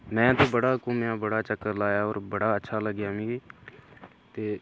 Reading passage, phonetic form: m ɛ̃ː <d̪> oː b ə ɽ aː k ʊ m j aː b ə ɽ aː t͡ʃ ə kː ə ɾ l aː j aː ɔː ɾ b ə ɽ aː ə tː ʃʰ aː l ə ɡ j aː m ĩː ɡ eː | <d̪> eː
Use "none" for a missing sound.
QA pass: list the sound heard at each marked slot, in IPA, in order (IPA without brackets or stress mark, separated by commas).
t̪, t̪